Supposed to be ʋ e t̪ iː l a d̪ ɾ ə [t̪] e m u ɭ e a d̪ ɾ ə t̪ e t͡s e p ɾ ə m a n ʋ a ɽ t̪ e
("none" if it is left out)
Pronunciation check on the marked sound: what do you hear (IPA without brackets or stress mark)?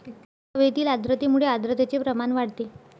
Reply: t̪